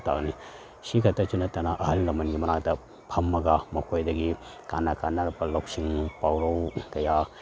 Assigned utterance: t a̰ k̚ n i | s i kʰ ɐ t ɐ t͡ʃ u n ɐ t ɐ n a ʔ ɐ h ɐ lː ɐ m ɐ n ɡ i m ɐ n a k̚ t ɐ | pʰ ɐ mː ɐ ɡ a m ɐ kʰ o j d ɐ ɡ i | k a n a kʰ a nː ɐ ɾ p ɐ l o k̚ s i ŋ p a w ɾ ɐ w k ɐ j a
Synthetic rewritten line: t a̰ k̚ n i | s i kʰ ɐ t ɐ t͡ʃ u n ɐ t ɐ n a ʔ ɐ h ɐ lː ɐ m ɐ n ɡ i m ɐ n a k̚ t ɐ | pʰ ɐ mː ɐ ɡ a m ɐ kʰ o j d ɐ ɡ i | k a n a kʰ a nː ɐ ɾ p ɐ l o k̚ s i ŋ p a w ɾ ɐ w k ɐ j a